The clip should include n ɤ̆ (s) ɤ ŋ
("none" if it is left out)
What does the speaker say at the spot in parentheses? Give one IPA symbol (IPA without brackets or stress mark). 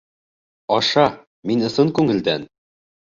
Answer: s